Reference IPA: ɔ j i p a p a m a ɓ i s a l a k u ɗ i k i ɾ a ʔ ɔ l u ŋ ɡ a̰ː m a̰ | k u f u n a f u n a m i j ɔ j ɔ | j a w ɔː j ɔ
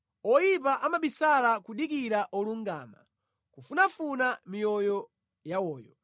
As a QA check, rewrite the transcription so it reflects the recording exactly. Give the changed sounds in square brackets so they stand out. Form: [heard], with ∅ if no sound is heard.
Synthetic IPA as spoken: ɔ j i p a [ʔ] a m a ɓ i s a l a k u ɗ i k i ɾ a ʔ ɔ l u ŋ ɡ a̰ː m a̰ | k u f u n a f u n a m i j ɔ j ɔ | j a w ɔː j ɔ